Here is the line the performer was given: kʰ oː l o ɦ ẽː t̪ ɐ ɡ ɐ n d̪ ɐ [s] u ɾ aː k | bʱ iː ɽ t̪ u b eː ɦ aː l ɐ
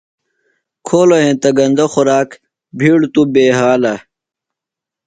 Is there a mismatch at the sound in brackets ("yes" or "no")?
yes